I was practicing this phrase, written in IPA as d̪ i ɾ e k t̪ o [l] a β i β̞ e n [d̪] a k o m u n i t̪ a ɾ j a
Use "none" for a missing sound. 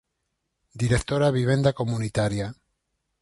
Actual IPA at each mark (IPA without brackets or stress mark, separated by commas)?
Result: ɾ, d̪